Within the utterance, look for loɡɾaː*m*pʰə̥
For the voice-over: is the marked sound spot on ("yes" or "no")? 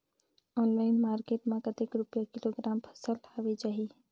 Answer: yes